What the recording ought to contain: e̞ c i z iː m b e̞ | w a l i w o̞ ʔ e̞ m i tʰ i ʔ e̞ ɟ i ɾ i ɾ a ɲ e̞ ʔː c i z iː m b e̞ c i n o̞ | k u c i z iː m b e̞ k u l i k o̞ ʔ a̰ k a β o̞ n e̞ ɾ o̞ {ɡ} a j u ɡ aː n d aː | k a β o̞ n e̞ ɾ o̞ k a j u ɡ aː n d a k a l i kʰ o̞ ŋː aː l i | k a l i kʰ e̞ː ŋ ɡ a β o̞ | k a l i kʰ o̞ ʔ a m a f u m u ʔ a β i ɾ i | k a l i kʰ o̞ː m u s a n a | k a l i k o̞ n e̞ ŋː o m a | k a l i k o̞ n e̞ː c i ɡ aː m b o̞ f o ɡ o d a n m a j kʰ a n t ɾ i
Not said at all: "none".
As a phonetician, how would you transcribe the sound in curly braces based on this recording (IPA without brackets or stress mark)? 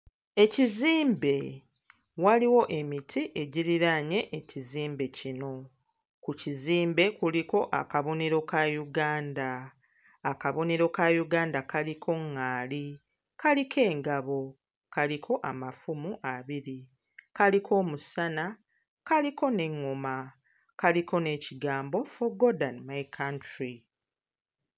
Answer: k